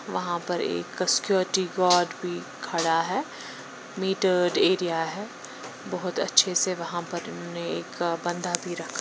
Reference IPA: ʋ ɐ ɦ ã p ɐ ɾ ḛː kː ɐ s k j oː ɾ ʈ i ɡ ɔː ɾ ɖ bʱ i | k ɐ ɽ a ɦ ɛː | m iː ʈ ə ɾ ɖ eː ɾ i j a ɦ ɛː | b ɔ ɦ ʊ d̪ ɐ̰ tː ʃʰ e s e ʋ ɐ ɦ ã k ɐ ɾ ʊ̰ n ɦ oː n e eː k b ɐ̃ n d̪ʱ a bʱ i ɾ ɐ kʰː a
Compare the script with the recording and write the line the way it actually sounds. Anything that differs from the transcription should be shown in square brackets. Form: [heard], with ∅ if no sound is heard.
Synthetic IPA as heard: ʋ ɐ ɦ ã p ɐ ɾ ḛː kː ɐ s k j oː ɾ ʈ i ɡ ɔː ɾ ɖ bʱ i | [kʰ] ɐ ɽ a ɦ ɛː | m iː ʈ ə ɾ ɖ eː ɾ i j a ɦ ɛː | b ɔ ɦ ʊ [t̪] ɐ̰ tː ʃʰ e s e ʋ ɐ ɦ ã [p] ɐ ɾ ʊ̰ n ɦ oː n e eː k b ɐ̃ n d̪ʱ a bʱ i ɾ ɐ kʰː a